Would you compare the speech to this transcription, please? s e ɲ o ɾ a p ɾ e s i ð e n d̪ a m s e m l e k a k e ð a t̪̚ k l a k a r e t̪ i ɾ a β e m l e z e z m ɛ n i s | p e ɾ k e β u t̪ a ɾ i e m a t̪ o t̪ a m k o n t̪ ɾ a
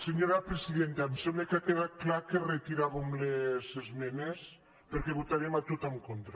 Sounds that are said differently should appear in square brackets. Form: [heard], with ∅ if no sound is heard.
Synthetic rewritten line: s e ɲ o ɾ a p ɾ e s i ð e n [t̪] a m s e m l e k a k e ð a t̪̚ k l a k [e] r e t̪ i ɾ a β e m l e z e z m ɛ n [e] s | p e ɾ k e β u t̪ a ɾ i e m a t̪ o t̪ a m k o n t̪ ɾ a